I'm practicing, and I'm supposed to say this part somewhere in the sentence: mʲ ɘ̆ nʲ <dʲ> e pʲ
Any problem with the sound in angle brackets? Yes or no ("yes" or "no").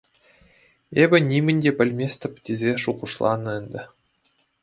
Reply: no